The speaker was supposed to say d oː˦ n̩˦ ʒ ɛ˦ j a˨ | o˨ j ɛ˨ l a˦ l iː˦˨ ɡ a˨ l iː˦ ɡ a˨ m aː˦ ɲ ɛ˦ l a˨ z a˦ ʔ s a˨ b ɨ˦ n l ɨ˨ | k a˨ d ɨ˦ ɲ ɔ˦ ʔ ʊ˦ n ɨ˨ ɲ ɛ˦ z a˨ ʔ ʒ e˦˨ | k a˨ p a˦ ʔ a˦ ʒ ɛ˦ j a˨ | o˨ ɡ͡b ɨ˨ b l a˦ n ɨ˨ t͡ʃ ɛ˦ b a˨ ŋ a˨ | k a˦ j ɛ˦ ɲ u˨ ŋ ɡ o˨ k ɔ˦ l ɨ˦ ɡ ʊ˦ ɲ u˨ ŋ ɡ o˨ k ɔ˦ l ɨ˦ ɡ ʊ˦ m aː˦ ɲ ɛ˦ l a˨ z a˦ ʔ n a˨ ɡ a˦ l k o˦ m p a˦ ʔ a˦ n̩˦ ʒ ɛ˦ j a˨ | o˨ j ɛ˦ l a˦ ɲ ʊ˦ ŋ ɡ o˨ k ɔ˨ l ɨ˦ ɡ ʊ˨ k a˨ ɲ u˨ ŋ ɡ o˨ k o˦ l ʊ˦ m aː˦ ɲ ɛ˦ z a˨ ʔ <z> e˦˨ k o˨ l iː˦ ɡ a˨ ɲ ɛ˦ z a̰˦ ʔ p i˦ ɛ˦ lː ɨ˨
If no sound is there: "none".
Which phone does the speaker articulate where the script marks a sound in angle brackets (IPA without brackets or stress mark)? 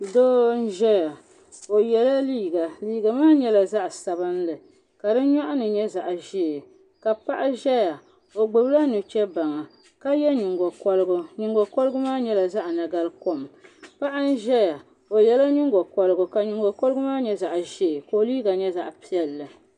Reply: ʒ